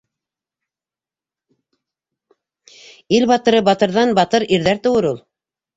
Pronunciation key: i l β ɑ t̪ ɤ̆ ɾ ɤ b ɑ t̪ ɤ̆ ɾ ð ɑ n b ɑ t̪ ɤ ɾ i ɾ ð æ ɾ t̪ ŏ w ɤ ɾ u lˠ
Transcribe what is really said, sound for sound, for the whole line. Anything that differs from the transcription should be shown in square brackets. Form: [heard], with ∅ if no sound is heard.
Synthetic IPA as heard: i l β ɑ t̪ ɤ̆ ɾ ɤ b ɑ t̪ ɤ̆ ɾ ð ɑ n b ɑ t̪ ɤ ɾ i ɾ ð æ ɾ t̪ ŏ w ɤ ɾ u lˠ